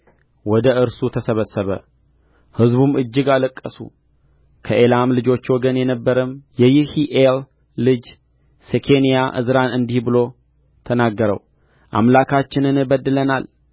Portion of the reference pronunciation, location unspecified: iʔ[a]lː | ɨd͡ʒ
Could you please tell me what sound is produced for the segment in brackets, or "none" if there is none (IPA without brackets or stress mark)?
e